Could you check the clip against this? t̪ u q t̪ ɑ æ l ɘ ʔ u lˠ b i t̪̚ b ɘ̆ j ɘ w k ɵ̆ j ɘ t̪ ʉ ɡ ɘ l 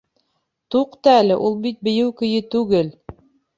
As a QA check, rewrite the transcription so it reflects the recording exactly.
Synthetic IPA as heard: t̪ u q t̪ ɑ æ l ɘ ʔ u lˠ b i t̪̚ b ɘ̆ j ɘ w k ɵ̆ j ɘ t̪ ʉ ɡ ɘ l